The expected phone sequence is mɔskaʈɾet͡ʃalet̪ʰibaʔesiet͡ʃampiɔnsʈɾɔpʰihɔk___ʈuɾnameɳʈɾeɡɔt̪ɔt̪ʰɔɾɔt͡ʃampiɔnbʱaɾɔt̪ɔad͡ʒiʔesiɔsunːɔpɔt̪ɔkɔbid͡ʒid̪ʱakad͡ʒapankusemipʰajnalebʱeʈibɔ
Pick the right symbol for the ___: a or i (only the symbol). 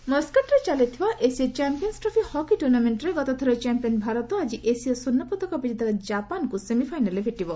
i